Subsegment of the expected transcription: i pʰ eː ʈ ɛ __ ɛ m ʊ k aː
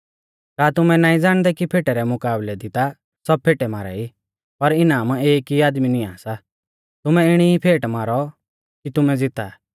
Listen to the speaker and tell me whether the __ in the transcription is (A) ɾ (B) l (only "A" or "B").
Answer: A